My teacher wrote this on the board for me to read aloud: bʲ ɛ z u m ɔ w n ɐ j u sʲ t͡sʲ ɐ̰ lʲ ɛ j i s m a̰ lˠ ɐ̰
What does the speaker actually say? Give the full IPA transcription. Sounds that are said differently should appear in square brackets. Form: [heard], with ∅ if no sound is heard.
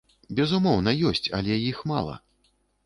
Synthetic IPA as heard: bʲ ɛ z u m ɔ w n ɐ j [ɔ] sʲ t͡sʲ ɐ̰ lʲ ɛ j i [x] m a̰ lˠ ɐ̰